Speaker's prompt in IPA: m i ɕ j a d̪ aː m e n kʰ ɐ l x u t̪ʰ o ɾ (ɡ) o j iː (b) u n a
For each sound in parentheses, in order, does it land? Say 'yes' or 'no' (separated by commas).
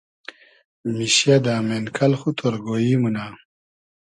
yes, no